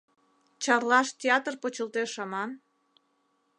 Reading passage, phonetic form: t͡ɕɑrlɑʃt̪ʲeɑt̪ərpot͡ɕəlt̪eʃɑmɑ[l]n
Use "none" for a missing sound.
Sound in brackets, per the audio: none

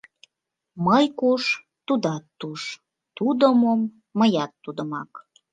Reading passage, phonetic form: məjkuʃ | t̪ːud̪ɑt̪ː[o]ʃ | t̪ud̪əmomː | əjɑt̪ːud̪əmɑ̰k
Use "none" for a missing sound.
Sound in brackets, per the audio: u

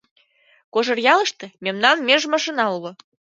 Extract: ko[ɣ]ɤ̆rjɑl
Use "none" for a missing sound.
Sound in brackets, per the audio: ʒ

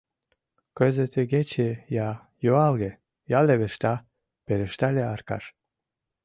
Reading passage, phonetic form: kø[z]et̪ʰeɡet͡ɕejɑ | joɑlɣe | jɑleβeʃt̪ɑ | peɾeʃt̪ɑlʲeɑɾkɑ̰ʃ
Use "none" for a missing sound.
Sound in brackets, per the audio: z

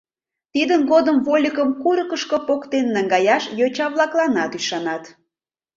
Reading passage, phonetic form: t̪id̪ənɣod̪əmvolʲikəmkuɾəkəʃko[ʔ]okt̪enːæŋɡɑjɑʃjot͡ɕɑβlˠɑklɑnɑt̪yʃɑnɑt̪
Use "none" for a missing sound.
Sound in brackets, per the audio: p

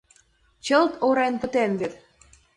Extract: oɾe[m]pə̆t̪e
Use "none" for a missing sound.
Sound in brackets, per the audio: n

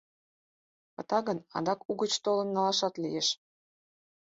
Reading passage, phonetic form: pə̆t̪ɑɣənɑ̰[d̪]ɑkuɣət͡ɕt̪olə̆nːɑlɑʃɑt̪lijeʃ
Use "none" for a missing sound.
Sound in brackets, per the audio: d̪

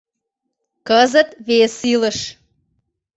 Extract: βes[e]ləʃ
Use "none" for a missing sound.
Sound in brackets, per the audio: i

